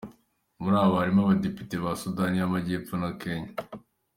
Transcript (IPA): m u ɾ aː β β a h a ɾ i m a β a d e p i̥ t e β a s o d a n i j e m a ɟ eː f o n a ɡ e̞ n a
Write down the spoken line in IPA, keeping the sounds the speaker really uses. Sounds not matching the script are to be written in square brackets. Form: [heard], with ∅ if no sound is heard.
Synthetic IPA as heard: m u ɾ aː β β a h a ɾ i m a β a d e p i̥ t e β a s [u] d a n i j [a] m a ɟ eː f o n a [k] e̞ [ɲ] a